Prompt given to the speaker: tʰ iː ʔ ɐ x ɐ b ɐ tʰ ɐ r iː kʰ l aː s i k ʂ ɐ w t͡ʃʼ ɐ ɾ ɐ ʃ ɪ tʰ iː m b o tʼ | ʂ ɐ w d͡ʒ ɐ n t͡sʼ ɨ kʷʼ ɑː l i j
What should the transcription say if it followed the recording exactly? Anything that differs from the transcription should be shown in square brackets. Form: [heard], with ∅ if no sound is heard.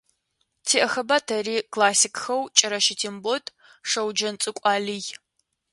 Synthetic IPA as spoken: tʰ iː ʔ ɐ x ɐ b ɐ tʰ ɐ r iː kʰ l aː s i k [x] ɐ w t͡ʃʼ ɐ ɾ ɐ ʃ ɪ tʰ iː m b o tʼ | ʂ ɐ w d͡ʒ ɐ n t͡sʼ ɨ kʷʼ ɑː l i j